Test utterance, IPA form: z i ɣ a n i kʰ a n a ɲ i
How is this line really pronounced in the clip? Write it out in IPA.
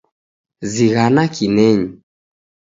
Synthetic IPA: z i ɣ a n a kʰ i n ɛ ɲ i

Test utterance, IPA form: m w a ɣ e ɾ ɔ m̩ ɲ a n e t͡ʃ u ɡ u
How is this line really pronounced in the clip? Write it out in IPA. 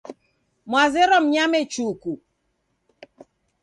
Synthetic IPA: m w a z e ɾ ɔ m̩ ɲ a m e t͡ʃ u k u

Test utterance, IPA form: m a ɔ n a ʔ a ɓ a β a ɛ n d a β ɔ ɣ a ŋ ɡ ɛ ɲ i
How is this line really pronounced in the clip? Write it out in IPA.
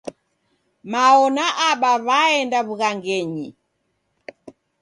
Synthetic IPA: m a ɔ n a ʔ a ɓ a β a ɛ n d a β u ɣ a ŋ ɡ ɛ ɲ i

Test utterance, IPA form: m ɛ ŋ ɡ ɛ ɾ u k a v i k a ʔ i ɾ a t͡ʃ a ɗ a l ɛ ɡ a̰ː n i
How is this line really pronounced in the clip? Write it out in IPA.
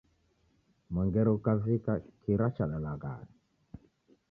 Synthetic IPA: m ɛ ŋ ɡ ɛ ɾ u k a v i k a k i ɾ a t͡ʃ a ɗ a l a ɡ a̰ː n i

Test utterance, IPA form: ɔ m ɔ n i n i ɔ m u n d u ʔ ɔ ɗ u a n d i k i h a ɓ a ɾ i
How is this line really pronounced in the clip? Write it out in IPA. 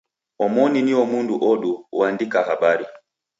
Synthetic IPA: ɔ m ɔ n i n i ɔ m u n d u ʔ ɔ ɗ u a n d i k a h a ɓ a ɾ i

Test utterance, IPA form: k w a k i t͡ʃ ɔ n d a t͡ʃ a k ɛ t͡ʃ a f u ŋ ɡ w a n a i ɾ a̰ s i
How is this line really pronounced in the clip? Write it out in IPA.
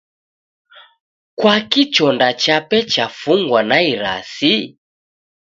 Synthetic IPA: k w a k i t͡ʃ ɔ n d a t͡ʃ a p ɛ t͡ʃ a f u ŋ ɡ w a n a i ɾ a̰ s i

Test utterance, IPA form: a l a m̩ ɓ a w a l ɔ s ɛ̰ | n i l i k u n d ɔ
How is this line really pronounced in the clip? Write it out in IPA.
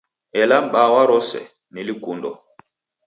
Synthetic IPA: ɛ l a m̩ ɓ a w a ɾ ɔ s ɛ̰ | n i l i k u n d ɔ

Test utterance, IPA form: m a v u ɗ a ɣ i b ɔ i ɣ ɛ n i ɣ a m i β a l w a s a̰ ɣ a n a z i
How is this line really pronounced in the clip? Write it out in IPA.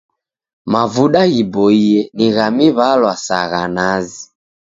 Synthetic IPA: m a v u ɗ a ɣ i b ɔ i ɛ n i ɣ a m i β a l w a s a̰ ɣ a n a z i

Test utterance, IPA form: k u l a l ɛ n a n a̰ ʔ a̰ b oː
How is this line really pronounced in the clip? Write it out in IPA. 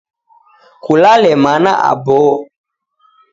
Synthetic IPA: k u l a l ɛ m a n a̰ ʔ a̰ b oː

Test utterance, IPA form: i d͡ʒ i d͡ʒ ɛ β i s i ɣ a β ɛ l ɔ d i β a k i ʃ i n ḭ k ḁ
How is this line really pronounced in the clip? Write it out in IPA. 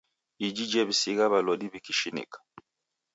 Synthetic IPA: i d͡ʒ i d͡ʒ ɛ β i s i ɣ a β a l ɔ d i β i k i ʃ i n ḭ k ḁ

